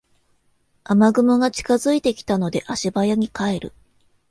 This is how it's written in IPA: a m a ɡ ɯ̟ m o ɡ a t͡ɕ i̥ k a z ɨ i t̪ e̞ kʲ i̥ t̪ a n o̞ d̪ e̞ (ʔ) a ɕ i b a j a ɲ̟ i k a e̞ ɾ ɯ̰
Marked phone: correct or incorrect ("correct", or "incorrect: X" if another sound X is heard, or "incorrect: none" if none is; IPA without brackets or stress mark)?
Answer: correct